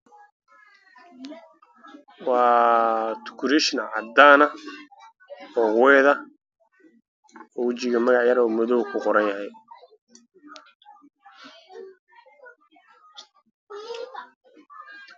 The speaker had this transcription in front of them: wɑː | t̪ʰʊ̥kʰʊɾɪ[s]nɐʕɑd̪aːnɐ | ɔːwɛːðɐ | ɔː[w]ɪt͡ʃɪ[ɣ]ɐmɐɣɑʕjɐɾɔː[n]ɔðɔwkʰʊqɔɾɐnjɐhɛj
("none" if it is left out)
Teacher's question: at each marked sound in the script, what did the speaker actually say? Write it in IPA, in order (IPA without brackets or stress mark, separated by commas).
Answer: ʃ, w, ɣ, m